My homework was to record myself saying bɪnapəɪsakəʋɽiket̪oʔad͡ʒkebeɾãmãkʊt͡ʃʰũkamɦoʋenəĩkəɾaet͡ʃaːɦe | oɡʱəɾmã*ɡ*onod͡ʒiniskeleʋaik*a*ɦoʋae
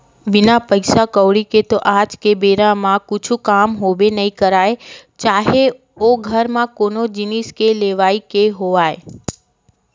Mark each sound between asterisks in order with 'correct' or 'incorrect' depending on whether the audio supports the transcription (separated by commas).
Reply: incorrect, incorrect